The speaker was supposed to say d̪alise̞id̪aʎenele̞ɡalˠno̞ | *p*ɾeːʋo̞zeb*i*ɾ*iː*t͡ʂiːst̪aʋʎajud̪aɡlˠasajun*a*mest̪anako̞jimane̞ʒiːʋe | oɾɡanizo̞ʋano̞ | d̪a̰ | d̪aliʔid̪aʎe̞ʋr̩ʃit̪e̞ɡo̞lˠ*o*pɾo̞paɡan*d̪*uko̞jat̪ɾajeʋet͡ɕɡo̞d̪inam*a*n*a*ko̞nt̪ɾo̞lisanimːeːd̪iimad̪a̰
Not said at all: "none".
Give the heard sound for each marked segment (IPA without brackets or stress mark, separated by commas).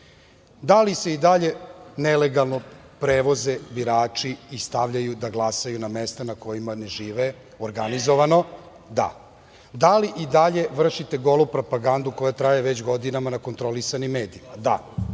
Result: p, i, aː, a, u, d̪, a, a